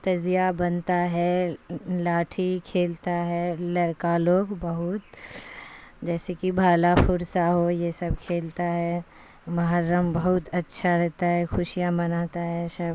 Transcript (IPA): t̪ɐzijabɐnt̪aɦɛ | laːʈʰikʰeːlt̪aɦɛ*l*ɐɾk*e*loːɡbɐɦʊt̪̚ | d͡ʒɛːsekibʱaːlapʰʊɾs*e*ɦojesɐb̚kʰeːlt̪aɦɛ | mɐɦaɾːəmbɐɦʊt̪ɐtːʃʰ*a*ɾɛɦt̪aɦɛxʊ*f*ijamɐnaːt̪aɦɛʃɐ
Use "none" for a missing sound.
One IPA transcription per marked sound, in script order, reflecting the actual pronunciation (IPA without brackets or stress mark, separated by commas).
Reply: l, a, a, a, ʃ